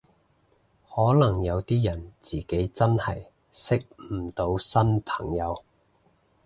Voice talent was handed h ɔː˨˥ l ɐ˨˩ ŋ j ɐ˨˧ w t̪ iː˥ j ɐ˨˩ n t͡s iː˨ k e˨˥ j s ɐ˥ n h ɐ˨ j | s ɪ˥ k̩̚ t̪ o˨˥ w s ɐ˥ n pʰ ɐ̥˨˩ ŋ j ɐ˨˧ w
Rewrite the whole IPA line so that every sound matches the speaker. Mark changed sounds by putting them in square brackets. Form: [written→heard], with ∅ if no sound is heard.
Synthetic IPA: h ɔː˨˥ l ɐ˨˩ ŋ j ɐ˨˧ w t̪ iː˥ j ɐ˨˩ n t͡s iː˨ k e˨˥ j [s→t͡s] ɐ˥ n h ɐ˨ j | s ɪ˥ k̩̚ t̪ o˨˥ w s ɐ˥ n pʰ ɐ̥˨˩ ŋ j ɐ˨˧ w